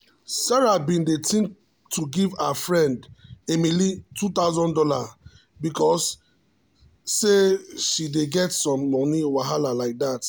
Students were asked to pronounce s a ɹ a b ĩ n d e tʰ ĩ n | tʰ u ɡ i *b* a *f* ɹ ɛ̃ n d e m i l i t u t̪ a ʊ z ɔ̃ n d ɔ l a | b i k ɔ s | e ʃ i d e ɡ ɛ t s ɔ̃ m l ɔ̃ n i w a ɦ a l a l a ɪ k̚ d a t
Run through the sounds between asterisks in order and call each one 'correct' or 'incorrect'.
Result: incorrect: v, correct

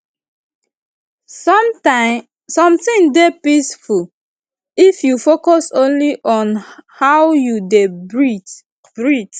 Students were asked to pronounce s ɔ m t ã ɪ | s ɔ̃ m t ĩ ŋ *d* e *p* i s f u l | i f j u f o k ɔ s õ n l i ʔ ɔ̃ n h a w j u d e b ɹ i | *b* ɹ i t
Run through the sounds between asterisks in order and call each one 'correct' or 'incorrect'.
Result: correct, correct, correct

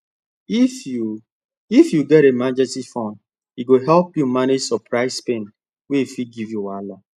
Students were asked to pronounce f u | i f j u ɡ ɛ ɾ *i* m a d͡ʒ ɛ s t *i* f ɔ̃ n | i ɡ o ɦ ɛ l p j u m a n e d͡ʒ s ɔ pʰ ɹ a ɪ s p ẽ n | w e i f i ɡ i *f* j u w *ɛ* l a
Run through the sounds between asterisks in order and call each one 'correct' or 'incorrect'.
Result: incorrect: e, correct, incorrect: v, incorrect: a

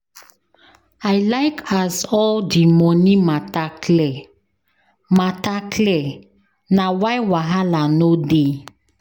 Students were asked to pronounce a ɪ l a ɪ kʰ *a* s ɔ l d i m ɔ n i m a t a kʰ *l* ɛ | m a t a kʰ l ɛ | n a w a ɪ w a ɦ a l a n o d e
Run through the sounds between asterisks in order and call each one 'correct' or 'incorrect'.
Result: correct, correct

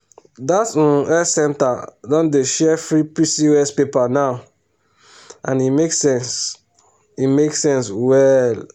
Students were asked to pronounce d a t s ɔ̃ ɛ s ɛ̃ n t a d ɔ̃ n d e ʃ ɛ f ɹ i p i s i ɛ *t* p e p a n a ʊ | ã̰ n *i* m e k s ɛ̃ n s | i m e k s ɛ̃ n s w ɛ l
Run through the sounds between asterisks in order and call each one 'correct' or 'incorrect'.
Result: incorrect: s, correct

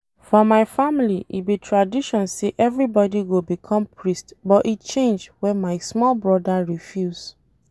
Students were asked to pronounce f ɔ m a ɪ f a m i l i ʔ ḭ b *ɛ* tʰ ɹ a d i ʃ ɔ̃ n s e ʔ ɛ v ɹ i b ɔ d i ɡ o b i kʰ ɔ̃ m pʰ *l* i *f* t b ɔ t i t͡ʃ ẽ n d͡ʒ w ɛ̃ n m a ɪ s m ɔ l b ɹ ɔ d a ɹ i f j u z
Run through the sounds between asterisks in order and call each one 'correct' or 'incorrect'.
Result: incorrect: i, incorrect: ɹ, incorrect: s

